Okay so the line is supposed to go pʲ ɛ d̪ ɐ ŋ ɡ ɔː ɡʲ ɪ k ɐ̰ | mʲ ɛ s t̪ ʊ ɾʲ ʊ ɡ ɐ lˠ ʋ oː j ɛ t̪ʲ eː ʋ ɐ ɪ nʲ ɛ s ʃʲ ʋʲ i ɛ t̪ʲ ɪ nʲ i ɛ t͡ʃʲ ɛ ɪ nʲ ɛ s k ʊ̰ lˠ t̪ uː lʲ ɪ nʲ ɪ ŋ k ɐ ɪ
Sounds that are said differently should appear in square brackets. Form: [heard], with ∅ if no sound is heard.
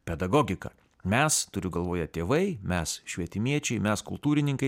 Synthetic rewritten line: pʲ ɛ d̪ ɐ [∅] ɡ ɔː ɡʲ ɪ k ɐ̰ | mʲ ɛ s t̪ ʊ ɾʲ ʊ ɡ ɐ lˠ ʋ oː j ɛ t̪ʲ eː ʋ ɐ ɪ [mʲ] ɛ s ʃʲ ʋʲ i ɛ t̪ʲ ɪ [mʲ] i ɛ t͡ʃʲ ɛ ɪ [mʲ] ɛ s k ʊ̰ lˠ t̪ uː [ɾʲ] ɪ nʲ ɪ ŋ k ɐ ɪ